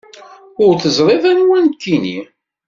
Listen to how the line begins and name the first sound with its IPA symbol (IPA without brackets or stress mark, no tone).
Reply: ʊ